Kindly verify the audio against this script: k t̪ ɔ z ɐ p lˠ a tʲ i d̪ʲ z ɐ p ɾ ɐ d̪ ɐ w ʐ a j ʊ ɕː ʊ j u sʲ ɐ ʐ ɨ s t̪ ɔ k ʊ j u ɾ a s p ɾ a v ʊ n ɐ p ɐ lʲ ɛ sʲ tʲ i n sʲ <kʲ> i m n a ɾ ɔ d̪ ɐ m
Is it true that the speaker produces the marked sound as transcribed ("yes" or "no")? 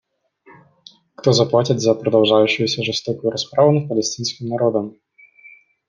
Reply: yes